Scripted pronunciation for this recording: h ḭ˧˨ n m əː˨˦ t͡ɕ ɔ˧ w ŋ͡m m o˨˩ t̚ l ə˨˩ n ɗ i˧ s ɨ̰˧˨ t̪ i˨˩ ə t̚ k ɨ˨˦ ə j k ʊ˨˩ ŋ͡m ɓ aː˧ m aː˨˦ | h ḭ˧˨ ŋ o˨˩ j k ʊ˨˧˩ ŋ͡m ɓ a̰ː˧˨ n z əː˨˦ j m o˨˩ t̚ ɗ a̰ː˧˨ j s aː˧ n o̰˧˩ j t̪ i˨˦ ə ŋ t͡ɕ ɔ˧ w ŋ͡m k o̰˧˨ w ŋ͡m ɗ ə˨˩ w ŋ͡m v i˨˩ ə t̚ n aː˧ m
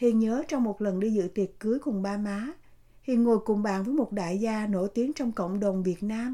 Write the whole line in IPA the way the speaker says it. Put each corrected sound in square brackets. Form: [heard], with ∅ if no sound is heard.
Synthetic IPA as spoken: h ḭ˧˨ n [ɲ] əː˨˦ t͡ɕ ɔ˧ w ŋ͡m m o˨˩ t̚ l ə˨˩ n ɗ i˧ [z] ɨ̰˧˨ t̪ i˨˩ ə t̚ k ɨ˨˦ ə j k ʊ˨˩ ŋ͡m ɓ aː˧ m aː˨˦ | h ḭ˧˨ ŋ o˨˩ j k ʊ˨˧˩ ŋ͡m ɓ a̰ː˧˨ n [v] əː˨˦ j m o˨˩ t̚ ɗ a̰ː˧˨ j [z] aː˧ n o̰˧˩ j t̪ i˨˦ ə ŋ t͡ɕ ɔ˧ w ŋ͡m k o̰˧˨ w ŋ͡m ɗ ə˨˩ w ŋ͡m v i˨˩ ə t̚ n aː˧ m